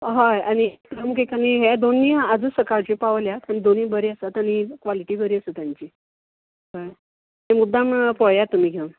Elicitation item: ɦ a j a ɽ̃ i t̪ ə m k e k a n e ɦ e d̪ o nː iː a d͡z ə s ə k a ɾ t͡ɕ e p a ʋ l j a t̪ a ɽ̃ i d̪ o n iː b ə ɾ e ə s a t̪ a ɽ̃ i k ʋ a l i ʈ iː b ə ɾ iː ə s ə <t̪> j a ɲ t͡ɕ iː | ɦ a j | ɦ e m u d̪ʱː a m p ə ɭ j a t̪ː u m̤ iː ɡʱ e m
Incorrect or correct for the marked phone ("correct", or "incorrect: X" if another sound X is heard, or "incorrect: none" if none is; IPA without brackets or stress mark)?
correct